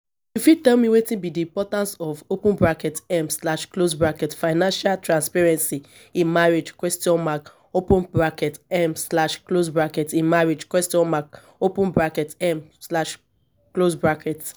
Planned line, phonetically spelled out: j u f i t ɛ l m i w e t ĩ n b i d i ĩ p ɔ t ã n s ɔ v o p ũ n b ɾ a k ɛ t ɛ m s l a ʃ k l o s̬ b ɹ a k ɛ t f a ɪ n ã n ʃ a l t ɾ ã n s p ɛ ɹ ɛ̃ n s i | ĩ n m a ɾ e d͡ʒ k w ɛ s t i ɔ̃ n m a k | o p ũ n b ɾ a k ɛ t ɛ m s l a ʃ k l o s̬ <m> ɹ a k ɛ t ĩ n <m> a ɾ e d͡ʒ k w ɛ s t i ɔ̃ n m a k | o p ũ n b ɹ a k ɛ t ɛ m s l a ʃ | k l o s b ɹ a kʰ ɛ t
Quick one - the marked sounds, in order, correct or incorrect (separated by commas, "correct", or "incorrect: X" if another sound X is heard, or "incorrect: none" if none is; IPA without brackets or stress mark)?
incorrect: b, correct